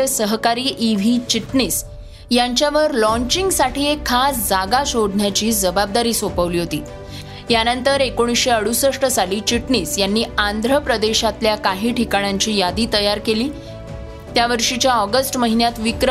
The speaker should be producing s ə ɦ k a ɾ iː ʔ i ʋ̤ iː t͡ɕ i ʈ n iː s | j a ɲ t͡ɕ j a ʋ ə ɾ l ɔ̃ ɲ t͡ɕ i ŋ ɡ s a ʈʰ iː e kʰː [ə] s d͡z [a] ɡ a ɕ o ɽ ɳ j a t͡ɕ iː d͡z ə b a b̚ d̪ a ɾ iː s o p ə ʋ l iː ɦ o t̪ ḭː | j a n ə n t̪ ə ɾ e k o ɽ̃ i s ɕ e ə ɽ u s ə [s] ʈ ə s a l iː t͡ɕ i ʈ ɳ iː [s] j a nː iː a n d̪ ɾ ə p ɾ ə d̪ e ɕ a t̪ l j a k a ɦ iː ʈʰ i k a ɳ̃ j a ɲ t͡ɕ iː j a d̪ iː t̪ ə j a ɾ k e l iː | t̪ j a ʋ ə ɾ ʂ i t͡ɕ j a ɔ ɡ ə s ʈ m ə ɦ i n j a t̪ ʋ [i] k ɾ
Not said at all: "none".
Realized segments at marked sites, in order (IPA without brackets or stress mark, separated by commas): a, a, ʂ, s, i